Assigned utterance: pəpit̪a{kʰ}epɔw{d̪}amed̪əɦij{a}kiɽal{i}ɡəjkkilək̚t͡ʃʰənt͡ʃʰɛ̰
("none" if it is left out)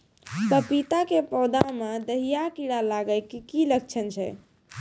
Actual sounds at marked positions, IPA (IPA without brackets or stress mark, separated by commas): k, d̪, a, a